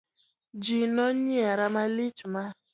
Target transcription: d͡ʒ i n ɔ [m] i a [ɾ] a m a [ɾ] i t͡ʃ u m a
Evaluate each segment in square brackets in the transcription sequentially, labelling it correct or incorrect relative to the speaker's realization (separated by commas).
incorrect, correct, incorrect